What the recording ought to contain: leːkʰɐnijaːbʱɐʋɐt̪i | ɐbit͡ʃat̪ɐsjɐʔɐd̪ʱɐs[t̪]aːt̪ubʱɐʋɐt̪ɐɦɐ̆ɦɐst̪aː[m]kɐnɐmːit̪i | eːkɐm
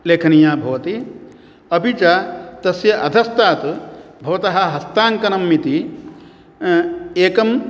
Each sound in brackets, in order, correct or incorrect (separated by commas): correct, incorrect